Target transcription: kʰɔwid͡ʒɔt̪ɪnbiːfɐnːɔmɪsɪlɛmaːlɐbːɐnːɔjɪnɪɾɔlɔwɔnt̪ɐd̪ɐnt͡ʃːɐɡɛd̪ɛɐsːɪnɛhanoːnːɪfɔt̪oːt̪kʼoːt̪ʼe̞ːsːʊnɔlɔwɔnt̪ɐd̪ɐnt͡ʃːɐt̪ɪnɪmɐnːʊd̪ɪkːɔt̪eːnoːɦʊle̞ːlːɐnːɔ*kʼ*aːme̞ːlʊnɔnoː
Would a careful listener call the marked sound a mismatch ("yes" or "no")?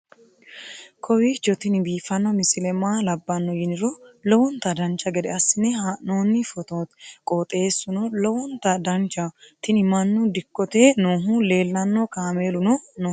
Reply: yes